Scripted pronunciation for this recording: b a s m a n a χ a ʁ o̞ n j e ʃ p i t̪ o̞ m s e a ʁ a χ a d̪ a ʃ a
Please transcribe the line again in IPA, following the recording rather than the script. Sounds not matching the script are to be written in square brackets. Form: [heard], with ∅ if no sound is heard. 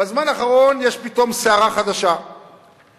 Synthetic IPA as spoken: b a [z] m a n a χ a ʁ o̞ n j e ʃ p i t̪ o̞ m s e a ʁ a χ a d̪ a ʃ a